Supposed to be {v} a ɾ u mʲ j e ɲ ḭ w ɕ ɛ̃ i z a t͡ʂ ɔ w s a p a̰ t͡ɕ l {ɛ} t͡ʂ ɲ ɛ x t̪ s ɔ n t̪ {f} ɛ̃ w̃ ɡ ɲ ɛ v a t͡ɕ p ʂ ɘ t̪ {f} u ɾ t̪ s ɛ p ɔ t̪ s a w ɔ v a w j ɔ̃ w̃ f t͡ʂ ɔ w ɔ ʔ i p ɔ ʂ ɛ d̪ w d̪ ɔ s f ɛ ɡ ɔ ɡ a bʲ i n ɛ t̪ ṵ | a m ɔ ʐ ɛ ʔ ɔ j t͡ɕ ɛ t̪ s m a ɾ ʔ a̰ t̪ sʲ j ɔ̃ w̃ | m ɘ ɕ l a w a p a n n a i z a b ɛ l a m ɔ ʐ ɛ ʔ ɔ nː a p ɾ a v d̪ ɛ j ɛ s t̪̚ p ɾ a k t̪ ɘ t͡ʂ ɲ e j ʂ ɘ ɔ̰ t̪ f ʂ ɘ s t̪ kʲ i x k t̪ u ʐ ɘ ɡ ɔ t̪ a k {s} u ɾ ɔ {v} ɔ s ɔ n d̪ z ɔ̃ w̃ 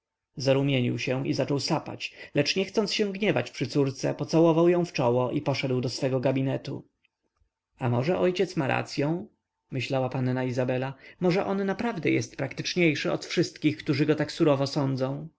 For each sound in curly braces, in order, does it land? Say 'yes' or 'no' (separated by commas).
no, yes, no, no, yes, yes